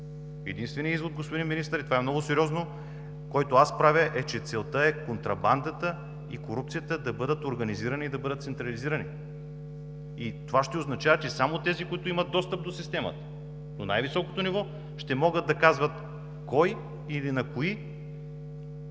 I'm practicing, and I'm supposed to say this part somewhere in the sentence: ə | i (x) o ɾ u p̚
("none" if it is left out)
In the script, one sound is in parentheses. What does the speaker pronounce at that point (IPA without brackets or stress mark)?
k